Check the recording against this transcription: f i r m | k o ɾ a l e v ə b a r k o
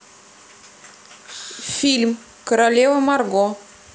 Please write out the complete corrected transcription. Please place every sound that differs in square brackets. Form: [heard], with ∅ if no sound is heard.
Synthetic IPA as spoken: f i [l] m | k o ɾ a l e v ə [m] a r [ɡ] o